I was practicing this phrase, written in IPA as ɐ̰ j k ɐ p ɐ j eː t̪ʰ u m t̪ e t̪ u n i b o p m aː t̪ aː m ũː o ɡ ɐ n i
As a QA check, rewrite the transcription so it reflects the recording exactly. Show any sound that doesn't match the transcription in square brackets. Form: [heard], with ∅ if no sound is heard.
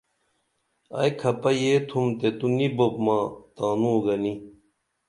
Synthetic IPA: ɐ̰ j [kʰ] ɐ p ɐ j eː t̪ʰ u m t̪ e t̪ u n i b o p m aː t̪ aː [n] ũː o ɡ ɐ n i